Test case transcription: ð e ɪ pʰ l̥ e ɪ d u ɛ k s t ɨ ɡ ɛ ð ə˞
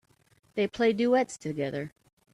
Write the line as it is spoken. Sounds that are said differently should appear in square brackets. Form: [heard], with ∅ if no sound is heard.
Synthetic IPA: ð e ɪ pʰ l̥ e ɪ d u ɛ [t] s [tʰ] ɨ ɡ ɛ ð ə˞